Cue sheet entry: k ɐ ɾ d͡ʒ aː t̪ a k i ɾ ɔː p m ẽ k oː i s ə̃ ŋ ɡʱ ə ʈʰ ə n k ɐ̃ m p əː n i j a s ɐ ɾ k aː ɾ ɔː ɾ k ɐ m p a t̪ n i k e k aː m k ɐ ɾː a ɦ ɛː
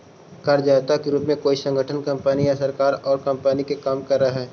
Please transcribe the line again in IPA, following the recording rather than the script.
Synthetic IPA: k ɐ ɾ d͡ʒ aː t̪ a k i ɾ uː p m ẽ k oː i s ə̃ ŋ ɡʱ ə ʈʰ ə n k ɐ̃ m p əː n i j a s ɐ ɾ k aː ɾ ɔː ɾ k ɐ m p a n i k e k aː m k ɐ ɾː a ɦ ɛː